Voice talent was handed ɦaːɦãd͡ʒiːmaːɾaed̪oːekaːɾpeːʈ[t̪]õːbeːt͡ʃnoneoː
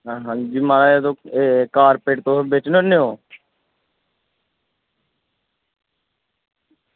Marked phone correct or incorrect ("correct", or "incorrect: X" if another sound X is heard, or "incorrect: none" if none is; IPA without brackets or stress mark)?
correct